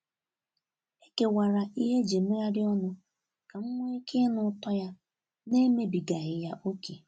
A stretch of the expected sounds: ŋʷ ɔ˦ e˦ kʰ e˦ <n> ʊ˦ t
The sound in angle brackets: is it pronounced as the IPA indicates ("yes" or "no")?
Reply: yes